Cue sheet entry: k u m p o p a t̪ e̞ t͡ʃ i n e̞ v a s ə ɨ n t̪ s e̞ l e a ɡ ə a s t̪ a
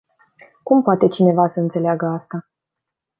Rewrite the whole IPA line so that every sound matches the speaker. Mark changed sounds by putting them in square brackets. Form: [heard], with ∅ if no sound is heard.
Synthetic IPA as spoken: k u m p o [∅] a t̪ e̞ t͡ʃ i n e̞ v a s ə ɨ n t̪ s e̞ l e a ɡ ə a s t̪ a